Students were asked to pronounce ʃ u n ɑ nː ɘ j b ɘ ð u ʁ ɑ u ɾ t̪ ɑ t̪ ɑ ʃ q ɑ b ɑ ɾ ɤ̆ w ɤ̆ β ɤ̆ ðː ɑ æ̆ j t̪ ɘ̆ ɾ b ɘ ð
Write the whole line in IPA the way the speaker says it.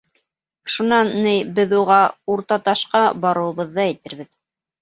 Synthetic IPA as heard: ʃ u n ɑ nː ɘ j b ɘ ð u ʁ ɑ u ɾ t̪ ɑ t̪ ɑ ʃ q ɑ b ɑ ɾ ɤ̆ w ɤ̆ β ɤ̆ ðː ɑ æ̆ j t̪ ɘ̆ ɾ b ɘ ð